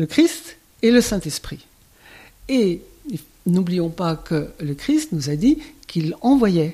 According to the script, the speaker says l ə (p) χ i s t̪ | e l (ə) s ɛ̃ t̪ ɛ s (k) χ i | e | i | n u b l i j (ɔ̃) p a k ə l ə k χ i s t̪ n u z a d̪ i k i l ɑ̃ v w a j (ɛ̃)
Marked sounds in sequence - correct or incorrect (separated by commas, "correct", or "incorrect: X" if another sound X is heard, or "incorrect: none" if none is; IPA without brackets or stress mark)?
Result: incorrect: k, correct, incorrect: p, correct, incorrect: ɛ